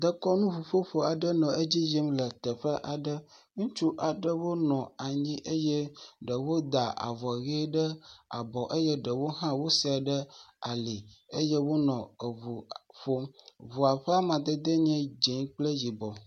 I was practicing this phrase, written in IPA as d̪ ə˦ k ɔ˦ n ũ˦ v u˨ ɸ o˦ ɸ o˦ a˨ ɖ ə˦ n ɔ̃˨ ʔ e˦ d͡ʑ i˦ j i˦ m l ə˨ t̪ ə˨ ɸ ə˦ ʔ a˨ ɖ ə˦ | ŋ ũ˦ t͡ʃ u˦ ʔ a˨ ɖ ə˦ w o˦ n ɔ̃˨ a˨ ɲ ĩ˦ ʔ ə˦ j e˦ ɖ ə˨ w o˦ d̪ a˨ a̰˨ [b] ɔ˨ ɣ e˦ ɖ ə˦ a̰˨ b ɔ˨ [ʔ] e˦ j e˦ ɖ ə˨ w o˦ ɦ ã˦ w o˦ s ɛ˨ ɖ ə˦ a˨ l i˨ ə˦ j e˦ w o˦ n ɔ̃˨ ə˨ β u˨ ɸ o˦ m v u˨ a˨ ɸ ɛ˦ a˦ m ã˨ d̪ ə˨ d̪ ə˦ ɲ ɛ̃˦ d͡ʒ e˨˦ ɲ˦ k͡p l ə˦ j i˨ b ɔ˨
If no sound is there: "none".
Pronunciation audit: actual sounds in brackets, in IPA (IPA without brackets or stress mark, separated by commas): v, ʔ